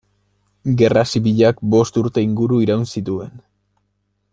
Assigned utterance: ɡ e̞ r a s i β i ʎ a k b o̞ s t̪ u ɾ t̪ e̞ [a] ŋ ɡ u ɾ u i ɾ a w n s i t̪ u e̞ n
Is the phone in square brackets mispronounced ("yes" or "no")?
yes